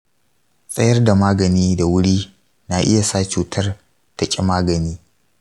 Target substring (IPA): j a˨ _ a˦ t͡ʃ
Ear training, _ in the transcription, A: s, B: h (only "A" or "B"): A